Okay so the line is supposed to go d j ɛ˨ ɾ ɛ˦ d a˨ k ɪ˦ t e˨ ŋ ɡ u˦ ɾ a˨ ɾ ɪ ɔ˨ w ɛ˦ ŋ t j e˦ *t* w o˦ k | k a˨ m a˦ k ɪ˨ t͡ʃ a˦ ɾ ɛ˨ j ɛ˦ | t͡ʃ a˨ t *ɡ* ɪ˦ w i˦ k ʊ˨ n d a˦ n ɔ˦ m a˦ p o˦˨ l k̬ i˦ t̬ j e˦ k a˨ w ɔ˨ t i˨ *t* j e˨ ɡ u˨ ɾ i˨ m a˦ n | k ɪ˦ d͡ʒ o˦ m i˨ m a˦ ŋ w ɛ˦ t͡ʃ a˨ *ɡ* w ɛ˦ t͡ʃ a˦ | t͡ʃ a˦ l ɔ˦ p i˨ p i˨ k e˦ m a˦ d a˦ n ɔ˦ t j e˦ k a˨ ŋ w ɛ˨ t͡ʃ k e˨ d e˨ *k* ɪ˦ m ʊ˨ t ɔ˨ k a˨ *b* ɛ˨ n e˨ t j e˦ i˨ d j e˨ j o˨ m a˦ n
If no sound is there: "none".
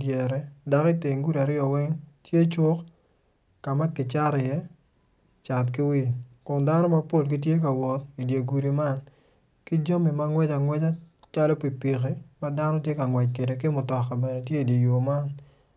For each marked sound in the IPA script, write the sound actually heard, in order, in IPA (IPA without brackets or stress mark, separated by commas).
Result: t͡ʃ, k, d, ŋ, k, b